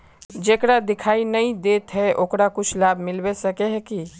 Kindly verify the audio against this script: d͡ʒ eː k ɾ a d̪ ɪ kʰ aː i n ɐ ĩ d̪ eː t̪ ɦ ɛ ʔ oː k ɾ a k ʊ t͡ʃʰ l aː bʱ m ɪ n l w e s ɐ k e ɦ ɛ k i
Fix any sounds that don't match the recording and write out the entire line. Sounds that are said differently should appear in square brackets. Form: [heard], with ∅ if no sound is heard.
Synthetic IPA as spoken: d͡ʒ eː k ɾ a d̪ ɪ kʰ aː i n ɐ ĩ d̪ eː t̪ ɦ ɛ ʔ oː k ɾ a k ʊ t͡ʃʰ l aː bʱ m ɪ [∅] l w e s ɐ k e ɦ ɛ k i